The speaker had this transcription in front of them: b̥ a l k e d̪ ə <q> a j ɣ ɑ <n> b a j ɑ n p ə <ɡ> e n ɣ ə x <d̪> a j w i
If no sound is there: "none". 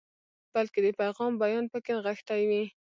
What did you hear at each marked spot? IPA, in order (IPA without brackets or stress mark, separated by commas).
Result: p, m, k, t̪